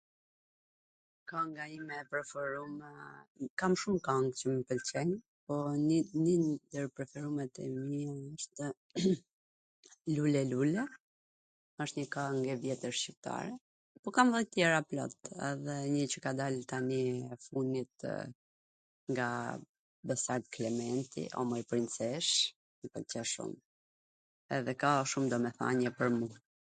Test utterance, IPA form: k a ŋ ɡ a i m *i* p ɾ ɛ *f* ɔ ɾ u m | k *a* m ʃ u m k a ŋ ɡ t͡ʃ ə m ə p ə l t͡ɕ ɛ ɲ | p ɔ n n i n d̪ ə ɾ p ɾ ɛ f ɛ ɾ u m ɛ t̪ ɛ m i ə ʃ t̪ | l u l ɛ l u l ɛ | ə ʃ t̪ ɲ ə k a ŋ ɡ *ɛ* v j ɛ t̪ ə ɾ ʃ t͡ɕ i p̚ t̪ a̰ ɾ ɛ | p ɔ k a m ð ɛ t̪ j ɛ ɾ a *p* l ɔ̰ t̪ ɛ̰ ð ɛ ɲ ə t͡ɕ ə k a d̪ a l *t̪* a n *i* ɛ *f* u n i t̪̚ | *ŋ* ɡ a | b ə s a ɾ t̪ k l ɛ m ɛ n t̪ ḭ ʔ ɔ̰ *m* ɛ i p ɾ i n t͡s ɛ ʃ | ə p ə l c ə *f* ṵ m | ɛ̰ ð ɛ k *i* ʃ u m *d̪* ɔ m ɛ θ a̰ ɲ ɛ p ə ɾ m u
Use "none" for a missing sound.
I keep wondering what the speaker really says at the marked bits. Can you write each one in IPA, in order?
ɛ, f, a, ɛ, p, t̪, i, f, ŋ, m, ʃ, a, d̪

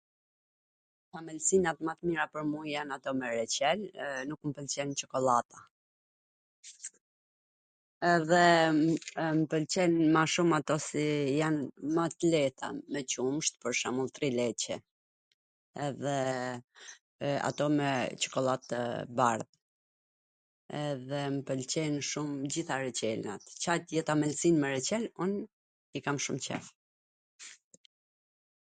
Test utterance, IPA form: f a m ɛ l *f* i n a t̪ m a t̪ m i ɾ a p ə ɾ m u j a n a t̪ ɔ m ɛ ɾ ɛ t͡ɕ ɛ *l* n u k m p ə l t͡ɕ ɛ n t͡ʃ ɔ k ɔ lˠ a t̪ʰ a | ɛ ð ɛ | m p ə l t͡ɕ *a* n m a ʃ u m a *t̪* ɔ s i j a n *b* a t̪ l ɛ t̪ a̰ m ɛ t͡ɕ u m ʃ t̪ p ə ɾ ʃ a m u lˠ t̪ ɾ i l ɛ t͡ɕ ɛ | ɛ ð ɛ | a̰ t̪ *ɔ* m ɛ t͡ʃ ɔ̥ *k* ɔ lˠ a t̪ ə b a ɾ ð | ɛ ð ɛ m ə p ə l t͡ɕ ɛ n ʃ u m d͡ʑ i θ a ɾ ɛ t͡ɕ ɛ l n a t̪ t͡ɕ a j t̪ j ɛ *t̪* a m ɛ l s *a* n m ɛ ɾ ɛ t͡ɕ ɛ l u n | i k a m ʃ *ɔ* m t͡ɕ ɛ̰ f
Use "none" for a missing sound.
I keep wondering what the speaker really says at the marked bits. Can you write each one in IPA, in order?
s, l, ɛ, t̪, m, ɔ, k, t̪, i, u

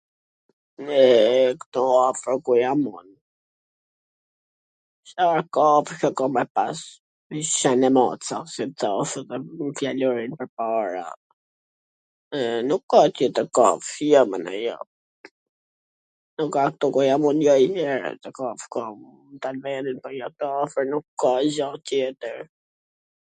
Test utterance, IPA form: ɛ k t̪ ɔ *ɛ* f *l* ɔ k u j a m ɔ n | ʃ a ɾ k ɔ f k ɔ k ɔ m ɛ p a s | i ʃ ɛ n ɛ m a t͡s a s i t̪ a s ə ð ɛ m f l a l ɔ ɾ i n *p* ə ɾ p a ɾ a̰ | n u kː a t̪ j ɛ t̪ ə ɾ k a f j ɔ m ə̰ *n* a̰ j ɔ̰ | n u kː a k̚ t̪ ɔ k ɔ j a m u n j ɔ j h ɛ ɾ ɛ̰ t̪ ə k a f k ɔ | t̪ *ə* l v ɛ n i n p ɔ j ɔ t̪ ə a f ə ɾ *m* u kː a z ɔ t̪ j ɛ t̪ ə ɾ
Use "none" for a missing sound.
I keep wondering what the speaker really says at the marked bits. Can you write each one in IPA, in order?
a, ɾ, p, n, a, n

